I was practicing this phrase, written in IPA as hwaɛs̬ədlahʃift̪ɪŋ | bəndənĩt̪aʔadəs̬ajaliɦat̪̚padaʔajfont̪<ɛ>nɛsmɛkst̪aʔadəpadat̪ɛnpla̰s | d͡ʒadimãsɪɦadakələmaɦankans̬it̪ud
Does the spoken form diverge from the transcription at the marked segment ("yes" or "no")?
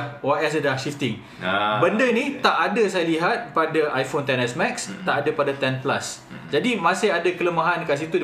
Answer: no